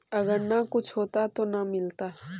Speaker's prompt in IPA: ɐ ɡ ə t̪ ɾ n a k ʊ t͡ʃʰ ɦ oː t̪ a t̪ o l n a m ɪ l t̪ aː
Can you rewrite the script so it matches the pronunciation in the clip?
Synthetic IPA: ɐ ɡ ə ɾ n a k ʊ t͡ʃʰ ɦ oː t̪ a t̪ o n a m ɪ l t̪ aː